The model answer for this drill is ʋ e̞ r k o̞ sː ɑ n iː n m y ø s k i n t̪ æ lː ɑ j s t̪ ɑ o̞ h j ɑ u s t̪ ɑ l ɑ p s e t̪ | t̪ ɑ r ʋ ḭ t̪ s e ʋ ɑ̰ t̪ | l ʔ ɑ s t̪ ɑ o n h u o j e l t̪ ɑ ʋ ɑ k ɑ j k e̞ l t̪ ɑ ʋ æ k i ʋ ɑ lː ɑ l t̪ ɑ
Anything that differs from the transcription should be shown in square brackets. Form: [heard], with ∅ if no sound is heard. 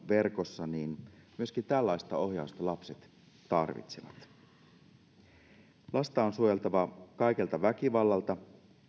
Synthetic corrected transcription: ʋ e̞ r k o̞ sː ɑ n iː n m y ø s k i n t̪ æ lː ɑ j s t̪ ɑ o̞ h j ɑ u s t̪ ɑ l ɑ p s e t̪ | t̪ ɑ r ʋ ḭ t̪ s e ʋ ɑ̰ t̪ | l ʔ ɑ s t̪ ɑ o n [s] u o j e l t̪ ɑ ʋ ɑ k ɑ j k e̞ l t̪ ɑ ʋ æ k i ʋ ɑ lː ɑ l t̪ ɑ